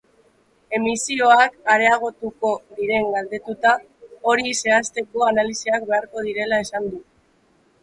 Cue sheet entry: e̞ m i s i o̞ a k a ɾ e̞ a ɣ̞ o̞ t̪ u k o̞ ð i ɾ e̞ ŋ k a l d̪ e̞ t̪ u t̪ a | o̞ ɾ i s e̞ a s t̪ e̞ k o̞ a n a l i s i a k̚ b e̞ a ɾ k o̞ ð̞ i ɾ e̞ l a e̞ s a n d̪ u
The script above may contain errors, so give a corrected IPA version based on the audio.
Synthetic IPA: e̞ m i s i o̞ a k a ɾ e̞ a ɣ̞ o̞ t̪ u k o̞ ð i ɾ e̞ ŋ ɡ a l d̪ e̞ t̪ u t̪ a | o̞ ɾ i s e̞ a s t̪ e̞ k o̞ a n a l i s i a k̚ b e̞ a ɾ k o̞ ð̞ i ɾ e̞ l a e̞ s a n d̪ u